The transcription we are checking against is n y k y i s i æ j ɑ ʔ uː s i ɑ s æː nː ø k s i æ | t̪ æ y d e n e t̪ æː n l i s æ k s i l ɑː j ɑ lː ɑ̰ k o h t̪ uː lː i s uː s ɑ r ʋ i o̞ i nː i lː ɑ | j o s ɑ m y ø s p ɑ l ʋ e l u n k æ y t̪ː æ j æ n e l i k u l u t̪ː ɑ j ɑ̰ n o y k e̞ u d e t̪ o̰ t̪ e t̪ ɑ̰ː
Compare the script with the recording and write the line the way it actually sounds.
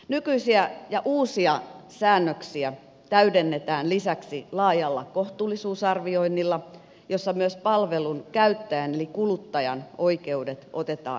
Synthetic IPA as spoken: n y k y i s i æ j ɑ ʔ uː s i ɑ s æː nː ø k s i æ | t̪ æ y d e nː e t̪ æː n l i s æ k s i l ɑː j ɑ lː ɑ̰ k o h t̪ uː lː i s uː s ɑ r ʋ i o̞ i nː i lː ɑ | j o sː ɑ m y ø s p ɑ l ʋ e l u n k æ y t̪ː æ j æ n e l i k u l u t̪ː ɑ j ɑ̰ n o i k e̞ u d e t̪ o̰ t̪ e t̪ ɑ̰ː